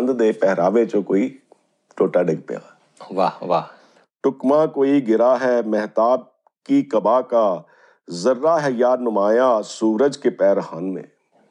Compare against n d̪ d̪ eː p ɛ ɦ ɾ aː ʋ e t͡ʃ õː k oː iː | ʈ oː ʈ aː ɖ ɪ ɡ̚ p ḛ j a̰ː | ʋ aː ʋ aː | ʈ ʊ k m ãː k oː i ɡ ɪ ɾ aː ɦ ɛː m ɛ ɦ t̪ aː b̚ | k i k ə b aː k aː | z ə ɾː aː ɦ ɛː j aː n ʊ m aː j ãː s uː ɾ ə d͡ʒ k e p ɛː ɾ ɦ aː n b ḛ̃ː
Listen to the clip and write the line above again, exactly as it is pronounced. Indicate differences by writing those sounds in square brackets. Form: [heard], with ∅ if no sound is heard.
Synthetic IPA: n d̪ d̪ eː p ɛ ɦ ɾ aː ʋ e t͡ʃ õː k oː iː | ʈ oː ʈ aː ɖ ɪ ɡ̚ p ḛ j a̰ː | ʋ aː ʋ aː | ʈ ʊ k m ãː k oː i ɡ ɪ ɾ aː ɦ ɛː m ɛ ɦ t̪ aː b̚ | k i k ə b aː k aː | z ə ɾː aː ɦ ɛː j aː n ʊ m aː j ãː s uː ɾ ə d͡ʒ k e p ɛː ɾ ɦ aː n [m] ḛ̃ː